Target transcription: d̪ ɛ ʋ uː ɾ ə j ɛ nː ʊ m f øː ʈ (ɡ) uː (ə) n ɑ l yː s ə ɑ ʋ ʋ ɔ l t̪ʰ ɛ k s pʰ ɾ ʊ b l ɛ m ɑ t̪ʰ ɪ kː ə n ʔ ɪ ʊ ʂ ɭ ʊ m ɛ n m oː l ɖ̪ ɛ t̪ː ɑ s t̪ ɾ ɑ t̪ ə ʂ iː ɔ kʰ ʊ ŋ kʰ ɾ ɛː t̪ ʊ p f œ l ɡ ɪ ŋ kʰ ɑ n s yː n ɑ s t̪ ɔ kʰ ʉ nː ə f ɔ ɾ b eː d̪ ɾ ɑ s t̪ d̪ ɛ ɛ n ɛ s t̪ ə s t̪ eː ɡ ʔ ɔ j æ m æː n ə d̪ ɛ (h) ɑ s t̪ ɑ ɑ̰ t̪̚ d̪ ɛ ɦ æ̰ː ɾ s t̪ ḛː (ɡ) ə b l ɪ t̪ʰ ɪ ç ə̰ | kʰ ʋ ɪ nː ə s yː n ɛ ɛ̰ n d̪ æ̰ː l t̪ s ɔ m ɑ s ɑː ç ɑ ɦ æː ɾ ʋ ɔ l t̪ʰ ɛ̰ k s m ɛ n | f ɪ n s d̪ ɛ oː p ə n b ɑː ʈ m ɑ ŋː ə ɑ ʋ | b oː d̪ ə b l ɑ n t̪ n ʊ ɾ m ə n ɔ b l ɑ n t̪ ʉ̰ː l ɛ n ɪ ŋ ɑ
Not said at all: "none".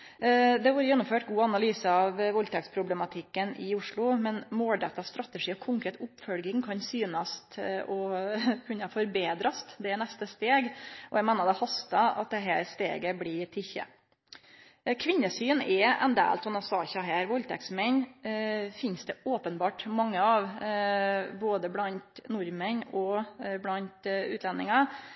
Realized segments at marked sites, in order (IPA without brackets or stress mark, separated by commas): ɡ, ɑ, h, ɡ